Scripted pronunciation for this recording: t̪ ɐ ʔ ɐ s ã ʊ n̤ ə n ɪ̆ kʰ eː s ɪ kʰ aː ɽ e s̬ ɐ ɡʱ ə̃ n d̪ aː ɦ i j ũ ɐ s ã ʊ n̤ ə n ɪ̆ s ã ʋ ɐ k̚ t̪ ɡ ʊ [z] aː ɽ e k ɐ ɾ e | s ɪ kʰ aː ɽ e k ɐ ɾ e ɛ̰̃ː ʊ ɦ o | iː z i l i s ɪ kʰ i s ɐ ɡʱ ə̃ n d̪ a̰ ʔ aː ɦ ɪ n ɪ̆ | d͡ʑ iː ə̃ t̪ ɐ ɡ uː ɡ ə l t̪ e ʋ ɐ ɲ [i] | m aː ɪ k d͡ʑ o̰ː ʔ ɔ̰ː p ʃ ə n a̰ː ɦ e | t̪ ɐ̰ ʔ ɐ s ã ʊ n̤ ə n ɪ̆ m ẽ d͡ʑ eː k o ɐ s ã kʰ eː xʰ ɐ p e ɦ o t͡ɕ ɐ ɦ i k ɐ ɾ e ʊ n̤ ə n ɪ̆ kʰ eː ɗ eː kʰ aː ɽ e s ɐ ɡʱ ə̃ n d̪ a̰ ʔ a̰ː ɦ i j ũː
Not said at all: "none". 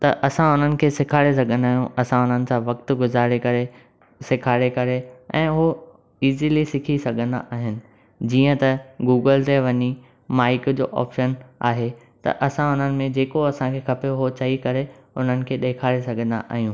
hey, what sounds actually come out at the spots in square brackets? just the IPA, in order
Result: z, i

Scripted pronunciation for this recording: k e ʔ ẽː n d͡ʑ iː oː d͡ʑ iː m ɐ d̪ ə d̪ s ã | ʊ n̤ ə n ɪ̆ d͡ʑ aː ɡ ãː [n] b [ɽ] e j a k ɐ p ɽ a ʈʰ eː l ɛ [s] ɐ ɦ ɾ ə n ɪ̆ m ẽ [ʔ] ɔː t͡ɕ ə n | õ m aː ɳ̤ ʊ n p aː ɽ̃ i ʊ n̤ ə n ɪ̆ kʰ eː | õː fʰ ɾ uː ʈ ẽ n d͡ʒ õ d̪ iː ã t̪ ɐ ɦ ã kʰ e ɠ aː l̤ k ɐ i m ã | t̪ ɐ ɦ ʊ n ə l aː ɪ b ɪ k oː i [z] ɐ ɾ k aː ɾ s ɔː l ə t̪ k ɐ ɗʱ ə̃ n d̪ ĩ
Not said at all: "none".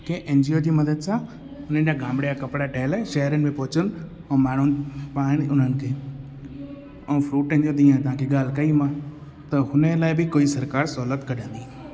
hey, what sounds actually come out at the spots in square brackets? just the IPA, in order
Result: m, ɽ, ʃ, p, s

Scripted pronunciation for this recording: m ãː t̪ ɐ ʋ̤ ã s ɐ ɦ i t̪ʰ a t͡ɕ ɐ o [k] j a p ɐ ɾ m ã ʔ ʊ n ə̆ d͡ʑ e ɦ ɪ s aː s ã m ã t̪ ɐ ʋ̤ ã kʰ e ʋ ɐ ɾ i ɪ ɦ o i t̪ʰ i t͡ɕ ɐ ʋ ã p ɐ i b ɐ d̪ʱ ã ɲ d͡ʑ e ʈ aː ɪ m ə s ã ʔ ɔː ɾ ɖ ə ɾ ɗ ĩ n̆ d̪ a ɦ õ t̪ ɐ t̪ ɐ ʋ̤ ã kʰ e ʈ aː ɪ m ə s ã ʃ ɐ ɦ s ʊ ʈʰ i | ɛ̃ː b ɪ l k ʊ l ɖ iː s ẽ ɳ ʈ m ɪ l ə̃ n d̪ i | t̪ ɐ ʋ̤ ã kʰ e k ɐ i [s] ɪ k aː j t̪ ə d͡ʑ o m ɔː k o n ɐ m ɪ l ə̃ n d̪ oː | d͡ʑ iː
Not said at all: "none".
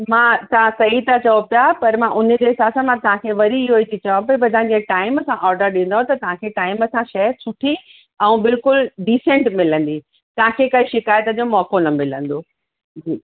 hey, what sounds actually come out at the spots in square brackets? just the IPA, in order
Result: p, ʃ

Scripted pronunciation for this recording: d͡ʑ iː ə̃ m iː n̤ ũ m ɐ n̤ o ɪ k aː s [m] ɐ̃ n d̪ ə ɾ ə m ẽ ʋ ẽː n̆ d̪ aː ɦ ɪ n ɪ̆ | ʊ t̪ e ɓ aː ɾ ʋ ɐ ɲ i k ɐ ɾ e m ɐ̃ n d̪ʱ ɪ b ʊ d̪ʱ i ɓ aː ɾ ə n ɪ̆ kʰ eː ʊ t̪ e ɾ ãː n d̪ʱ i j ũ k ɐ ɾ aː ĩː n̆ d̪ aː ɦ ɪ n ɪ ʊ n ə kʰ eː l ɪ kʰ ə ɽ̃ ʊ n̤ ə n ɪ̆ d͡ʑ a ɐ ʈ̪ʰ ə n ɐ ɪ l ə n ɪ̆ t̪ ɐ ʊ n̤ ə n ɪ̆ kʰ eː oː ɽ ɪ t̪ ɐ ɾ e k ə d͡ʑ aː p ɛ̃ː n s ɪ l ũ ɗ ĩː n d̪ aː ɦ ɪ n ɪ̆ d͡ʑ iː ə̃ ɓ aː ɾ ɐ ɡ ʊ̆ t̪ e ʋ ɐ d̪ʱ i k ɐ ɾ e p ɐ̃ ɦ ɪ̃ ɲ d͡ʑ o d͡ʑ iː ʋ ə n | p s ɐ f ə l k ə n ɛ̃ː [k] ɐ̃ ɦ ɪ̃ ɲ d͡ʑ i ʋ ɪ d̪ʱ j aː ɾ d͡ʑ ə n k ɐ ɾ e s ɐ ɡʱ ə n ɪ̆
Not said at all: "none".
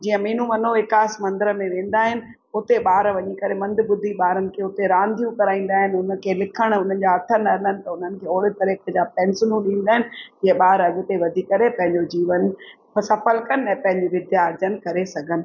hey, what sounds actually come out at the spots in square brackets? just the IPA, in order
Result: m, p

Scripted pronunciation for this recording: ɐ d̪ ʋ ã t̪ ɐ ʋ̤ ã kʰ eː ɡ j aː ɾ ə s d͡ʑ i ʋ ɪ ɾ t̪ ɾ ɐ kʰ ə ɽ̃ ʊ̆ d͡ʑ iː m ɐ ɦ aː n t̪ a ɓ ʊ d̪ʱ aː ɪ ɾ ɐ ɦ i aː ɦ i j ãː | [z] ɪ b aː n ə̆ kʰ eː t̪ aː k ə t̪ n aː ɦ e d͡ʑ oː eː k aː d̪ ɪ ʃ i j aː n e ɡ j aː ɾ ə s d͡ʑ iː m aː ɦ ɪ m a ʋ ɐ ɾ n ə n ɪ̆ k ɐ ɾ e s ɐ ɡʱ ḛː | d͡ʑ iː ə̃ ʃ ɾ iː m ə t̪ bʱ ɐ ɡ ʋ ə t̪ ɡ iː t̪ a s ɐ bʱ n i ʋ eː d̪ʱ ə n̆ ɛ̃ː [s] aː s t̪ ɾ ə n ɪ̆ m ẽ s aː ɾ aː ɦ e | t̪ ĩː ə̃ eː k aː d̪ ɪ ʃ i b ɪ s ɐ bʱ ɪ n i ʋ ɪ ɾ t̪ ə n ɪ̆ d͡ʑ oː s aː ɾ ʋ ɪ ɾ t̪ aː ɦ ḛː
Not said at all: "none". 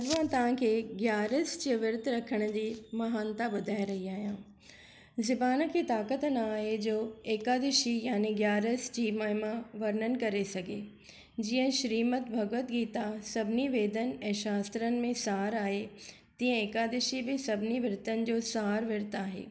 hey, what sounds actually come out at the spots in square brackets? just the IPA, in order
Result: z, ʃ

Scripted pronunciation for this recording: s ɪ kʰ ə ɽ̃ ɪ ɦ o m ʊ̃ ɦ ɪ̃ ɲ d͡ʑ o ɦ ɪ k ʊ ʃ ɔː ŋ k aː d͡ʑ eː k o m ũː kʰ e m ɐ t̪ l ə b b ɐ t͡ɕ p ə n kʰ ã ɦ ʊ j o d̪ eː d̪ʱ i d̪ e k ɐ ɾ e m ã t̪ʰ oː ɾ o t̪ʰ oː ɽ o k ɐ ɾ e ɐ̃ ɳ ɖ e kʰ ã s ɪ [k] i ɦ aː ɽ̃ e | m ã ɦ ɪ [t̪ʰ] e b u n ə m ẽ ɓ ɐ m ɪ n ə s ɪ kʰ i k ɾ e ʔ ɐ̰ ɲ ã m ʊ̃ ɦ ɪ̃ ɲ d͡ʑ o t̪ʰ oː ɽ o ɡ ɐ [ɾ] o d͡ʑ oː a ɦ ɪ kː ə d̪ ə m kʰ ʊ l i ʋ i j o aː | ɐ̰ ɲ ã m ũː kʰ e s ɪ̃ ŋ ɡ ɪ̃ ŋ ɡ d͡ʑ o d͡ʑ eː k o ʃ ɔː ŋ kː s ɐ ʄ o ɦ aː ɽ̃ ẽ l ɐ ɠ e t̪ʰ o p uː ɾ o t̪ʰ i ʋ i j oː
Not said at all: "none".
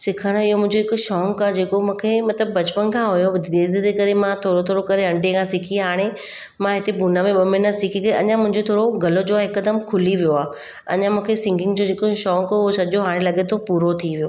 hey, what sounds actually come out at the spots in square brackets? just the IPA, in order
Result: kʰ, t̪, l

